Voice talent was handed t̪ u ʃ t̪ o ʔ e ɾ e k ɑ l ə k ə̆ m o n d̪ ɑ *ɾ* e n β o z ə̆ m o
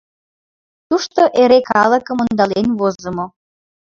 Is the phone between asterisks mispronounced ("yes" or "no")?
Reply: yes